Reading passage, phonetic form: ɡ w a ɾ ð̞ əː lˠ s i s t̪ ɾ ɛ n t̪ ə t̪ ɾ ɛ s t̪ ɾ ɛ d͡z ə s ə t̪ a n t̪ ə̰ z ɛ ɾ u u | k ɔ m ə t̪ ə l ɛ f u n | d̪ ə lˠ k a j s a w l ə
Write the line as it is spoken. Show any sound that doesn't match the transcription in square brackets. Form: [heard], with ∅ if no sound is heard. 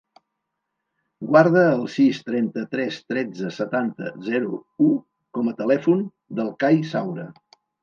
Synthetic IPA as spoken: ɡ w a ɾ ð̞ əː lˠ s i s t̪ ɾ ɛ n t̪ ə t̪ ɾ ɛ s t̪ ɾ ɛ d͡z ə s ə t̪ a n t̪ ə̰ z ɛ ɾ u u | k ɔ m ə t̪ ə l ɛ f u n | d̪ ə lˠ k a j s a w [ɾ] ə